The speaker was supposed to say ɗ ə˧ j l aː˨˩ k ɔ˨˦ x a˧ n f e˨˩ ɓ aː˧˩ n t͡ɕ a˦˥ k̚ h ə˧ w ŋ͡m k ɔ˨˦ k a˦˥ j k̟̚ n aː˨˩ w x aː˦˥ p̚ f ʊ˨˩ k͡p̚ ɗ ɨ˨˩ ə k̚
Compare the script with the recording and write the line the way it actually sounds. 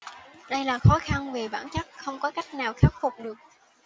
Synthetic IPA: ɗ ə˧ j l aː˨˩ x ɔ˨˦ x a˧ n v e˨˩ ɓ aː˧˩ n t͡ɕ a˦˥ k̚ x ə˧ w ŋ͡m k ɔ˨˦ k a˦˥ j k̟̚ n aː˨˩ w x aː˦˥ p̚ f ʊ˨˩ k͡p̚ ɗ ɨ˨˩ ə k̚